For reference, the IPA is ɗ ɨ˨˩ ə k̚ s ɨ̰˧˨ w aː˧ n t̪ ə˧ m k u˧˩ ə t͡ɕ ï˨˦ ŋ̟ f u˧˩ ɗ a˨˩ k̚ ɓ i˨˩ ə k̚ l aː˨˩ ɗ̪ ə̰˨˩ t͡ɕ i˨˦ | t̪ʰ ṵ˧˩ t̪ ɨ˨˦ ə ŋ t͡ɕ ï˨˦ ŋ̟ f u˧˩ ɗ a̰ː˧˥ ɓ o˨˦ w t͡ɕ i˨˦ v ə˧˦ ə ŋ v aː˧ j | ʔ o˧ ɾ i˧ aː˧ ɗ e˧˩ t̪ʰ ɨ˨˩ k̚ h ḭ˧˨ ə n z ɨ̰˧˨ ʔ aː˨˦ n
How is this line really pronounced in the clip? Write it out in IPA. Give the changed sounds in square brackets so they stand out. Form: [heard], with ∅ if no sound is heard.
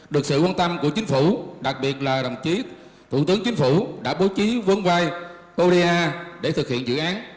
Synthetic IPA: ɗ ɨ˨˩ ə k̚ s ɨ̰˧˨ w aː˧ n t̪ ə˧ m k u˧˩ ə t͡ɕ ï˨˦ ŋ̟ f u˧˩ ɗ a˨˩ k̚ ɓ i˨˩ ə [t̚] l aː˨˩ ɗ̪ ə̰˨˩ t͡ɕ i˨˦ | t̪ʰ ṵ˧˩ t̪ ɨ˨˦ ə ŋ t͡ɕ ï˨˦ ŋ̟ f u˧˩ ɗ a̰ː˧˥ ɓ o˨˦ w t͡ɕ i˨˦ v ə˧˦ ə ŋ v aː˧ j | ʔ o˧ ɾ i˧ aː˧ ɗ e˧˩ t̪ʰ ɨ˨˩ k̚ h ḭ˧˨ ə n z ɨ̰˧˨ ʔ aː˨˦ n